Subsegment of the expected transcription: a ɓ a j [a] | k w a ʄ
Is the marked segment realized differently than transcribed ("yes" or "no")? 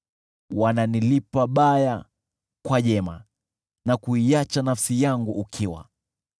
no